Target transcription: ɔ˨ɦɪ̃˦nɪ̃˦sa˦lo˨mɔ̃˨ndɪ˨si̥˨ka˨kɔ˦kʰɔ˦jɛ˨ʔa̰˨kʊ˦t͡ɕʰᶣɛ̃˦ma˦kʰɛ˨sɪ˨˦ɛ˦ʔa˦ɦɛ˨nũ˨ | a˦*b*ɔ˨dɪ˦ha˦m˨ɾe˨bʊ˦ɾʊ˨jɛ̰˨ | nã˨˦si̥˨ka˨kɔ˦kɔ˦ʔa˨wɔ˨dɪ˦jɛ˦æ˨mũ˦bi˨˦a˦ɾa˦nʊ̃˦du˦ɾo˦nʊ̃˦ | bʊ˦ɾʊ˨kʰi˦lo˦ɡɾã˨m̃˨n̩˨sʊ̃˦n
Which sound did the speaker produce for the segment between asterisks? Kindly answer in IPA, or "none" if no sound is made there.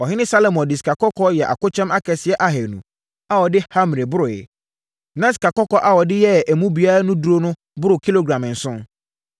w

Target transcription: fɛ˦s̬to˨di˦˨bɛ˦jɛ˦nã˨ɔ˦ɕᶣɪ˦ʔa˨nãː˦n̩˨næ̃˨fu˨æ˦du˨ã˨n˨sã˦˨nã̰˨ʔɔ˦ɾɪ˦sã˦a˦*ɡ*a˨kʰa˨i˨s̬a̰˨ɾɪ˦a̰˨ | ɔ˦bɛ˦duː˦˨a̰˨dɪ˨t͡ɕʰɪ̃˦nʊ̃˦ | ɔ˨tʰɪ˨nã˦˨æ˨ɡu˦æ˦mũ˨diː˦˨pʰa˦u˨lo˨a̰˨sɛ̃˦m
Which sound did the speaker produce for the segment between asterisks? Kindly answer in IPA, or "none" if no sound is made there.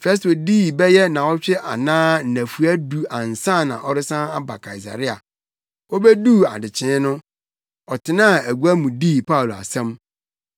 b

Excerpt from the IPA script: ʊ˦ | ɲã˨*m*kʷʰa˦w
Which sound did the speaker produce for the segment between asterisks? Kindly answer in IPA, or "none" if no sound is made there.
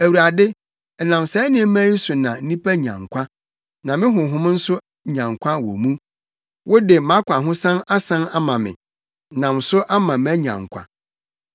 ŋ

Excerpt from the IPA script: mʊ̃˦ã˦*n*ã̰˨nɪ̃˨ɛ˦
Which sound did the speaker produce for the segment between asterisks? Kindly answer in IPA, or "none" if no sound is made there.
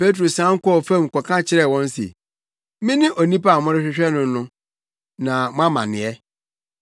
m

